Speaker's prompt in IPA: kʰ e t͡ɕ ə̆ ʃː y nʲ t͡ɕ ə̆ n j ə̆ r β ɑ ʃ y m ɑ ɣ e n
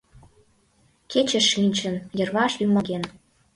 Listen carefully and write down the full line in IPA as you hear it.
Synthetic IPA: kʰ e t͡ɕ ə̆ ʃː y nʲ t͡ɕ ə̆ n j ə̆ r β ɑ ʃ y m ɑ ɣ e n

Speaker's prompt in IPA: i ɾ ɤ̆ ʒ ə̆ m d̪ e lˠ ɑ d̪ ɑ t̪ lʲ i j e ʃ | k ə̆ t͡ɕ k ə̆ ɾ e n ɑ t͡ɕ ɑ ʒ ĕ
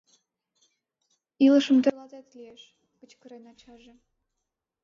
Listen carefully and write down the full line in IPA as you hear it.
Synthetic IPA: i l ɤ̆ ʃ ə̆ m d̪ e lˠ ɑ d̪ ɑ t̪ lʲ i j e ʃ | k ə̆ t͡ɕ k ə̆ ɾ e n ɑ t͡ɕ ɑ ʒ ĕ

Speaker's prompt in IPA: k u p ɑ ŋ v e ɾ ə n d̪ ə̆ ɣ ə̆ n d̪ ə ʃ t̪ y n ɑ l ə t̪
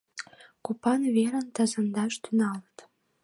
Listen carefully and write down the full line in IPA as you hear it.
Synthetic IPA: k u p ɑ n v e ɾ ə n t̪ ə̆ z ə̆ n d̪ ɑ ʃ t̪ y n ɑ l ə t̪

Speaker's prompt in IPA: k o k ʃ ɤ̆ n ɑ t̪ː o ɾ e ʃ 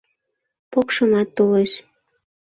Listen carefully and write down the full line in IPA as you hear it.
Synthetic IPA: p o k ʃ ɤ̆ m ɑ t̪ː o l e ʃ

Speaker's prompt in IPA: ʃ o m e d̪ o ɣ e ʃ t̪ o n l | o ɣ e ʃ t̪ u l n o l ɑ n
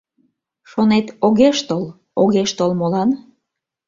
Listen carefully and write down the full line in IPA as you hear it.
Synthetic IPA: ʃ o n e t̪ o ɣ e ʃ t̪ o l | o ɣ e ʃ t̪ o l m o l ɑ n

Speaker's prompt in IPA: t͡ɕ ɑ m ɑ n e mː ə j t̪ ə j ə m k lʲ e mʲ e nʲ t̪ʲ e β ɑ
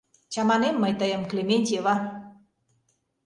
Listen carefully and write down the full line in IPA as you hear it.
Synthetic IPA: t͡ɕ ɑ m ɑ n e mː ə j t̪ ə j ə m k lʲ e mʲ e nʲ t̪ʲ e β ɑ

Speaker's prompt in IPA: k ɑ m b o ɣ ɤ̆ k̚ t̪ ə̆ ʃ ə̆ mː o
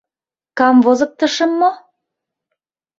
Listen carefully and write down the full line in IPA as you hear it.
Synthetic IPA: k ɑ m v o z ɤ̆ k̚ t̪ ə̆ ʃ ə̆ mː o

